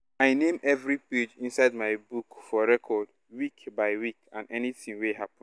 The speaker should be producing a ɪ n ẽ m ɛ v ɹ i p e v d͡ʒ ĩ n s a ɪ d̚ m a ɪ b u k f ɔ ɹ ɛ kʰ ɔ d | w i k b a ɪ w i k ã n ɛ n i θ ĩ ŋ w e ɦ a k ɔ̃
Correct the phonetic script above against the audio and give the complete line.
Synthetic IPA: a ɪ n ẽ m ɛ v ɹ i p e d͡ʒ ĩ n s a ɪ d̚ m a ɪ b u k f ɔ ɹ ɛ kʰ ɔ d | w i k b a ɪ w i k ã n ɛ n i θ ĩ ŋ w e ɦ a p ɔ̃